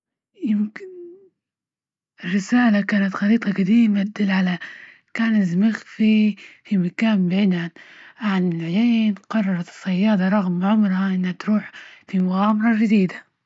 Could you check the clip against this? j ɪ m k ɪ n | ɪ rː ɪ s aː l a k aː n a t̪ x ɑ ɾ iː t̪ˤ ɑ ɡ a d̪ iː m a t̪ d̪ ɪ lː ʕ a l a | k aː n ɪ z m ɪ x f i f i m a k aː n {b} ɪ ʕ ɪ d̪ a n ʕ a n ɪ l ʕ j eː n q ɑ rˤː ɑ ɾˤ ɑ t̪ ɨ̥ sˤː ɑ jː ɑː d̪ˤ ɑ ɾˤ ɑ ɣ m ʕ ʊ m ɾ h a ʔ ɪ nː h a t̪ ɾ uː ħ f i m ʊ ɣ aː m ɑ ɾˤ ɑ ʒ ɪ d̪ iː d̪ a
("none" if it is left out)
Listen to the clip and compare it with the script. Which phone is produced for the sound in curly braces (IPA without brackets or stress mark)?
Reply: b